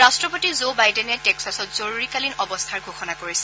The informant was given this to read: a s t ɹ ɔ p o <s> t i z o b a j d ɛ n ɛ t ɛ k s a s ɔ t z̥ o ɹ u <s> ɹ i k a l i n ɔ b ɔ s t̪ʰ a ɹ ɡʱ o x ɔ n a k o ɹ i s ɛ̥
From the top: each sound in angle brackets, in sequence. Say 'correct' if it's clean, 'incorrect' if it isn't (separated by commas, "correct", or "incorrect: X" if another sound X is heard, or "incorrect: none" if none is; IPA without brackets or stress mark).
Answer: incorrect: none, incorrect: none